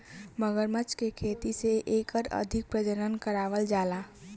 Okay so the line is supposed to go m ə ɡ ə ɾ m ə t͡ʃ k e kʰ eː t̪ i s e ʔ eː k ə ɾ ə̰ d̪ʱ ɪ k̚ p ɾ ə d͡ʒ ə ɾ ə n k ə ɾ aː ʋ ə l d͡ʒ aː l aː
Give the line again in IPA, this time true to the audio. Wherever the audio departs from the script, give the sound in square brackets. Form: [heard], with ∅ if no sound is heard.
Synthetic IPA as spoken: m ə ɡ ə ɾ m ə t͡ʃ k e kʰ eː t̪ i s e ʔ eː k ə ɾ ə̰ d̪ʱ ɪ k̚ p ɾ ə d͡ʒ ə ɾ ə n k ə ɾ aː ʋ ə l d͡ʒ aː l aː